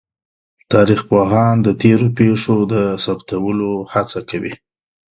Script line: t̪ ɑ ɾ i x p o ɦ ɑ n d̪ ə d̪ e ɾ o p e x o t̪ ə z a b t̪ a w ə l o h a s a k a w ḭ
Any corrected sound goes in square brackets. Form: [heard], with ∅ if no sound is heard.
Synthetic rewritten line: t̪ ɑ ɾ i x p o ɦ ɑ n d̪ ə [t̪] e ɾ o p e [ʂ] o [d̪] ə [s] a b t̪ a w ə l o h a [t͡s] a k a w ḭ

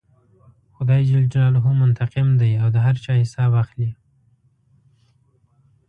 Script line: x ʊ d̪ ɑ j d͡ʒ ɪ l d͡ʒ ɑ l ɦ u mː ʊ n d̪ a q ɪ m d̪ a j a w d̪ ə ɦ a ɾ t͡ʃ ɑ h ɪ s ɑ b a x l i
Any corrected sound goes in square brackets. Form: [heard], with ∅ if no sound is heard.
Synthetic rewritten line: x ʊ d̪ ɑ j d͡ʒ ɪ l d͡ʒ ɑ l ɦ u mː ʊ n [t̪] a q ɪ m d̪ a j a w d̪ ə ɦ a ɾ t͡ʃ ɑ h ɪ s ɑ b a x l i

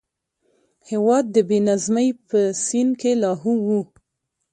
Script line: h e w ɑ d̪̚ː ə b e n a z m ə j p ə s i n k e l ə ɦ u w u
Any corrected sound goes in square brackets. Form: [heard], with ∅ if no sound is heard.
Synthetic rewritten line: h e w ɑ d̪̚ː ə b e n a z m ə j p ə s i n k e l [ɑ] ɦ u w u

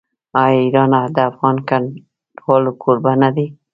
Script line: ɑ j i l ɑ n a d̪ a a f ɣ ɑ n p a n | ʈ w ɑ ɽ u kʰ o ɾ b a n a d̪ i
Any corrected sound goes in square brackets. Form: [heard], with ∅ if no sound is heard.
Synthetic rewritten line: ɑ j i [ɾ] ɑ n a d̪ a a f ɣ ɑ n [k] a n | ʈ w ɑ [l] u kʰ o ɾ b a n a d̪ i

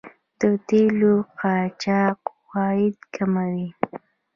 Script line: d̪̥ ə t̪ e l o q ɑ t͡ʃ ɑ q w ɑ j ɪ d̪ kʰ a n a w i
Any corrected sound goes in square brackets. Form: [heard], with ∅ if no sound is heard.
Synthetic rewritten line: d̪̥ ə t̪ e l o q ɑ t͡ʃ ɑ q w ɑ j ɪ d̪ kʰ a [m] a w i

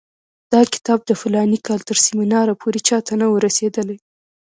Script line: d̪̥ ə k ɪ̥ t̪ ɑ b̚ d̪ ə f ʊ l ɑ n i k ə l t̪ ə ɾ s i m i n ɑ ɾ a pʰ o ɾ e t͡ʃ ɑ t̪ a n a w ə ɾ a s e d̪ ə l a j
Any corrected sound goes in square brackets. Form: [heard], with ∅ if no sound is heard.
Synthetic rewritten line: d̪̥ [ɑ] k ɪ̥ t̪ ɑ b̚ d̪ ə f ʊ l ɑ n i k [ɑ] l t̪ ə ɾ s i m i n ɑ ɾ a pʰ o ɾ e t͡ʃ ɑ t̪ a n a w ə ɾ a s e d̪ ə l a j

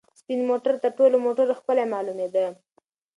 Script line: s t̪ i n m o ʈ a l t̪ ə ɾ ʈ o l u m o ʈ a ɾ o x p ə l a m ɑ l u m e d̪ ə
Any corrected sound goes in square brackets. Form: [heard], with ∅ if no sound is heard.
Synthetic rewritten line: s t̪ i n m o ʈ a [ɾ] t̪ ə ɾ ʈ o l [o] m o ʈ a ɾ o x p ə l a m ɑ l u m e d̪ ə

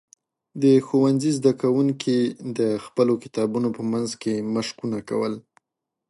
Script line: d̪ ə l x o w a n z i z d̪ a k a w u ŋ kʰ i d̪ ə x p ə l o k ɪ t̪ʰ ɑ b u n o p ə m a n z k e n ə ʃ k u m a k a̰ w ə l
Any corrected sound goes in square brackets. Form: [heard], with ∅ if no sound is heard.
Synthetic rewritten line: d̪ ə [∅] x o w a n z i z d̪ a k a w u ŋ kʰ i d̪ ə x p ə l o k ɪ [t̪] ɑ b u n o p ə m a n z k e [m] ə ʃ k u [n] a k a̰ w ə l

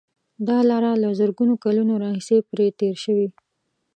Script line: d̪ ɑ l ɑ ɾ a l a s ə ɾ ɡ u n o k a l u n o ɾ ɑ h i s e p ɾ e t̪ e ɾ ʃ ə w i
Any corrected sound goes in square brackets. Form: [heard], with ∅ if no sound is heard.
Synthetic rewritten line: d̪ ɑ l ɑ ɾ a l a [z] ə ɾ ɡ u n o k a l u n o ɾ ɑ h i s e p ɾ e t̪ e ɾ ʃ ə w i

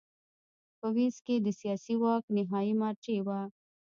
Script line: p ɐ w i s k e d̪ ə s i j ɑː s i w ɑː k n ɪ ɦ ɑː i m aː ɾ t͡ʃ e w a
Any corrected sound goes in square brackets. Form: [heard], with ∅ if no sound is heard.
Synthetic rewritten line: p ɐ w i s k e d̪ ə s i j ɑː s i w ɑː k n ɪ ɦ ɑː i m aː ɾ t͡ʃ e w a

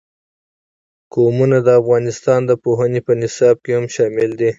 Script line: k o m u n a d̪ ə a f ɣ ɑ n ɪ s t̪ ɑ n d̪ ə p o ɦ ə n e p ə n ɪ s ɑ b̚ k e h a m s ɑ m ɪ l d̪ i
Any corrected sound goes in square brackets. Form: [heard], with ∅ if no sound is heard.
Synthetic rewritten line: k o m u n a d̪ ə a f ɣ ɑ n ɪ s t̪ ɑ n d̪ ə p o ɦ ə n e p ə n ɪ s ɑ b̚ k e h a m [ʃ] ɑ m ɪ l d̪ i

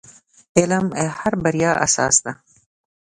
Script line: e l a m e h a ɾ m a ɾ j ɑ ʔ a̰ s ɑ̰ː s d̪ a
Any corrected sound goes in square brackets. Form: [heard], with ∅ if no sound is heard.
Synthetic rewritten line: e l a m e h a ɾ [b] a ɾ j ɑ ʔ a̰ s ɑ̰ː s d̪ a

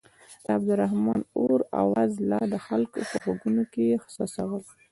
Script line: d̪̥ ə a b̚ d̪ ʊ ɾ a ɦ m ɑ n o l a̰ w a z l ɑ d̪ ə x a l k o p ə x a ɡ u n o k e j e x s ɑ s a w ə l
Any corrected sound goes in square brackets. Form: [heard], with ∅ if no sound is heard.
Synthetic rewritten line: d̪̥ ə a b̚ d̪ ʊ ɾ a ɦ m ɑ n o [ɾ] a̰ w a z l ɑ d̪ ə x a l k o p ə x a ɡ u n o k e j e x s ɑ s a w ə l

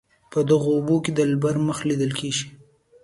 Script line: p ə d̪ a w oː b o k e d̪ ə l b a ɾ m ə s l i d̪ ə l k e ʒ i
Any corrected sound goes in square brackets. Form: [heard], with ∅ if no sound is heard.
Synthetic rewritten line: p ə d̪ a [ɣ] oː b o k e d̪ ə l b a ɾ m ə [x] l i d̪ ə l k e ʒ i

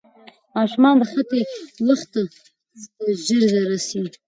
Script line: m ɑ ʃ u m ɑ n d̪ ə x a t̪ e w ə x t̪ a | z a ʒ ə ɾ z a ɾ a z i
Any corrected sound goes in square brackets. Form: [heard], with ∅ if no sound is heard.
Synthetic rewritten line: m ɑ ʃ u m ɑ n d̪ ə x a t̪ e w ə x t̪ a | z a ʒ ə ɾ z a ɾ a [s] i

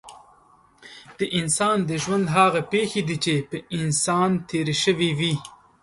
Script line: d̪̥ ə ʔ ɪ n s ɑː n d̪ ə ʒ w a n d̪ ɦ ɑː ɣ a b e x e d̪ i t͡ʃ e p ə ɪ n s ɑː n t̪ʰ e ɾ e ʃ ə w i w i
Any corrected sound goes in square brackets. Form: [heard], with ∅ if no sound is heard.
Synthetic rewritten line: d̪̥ ə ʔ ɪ n s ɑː n d̪ ə ʒ w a n d̪ ɦ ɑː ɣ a [p] e x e d̪ i t͡ʃ e p ə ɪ n s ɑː n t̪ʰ e ɾ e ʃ ə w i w i

